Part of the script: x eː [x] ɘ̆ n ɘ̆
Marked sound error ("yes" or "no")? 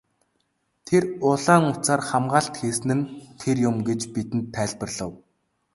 yes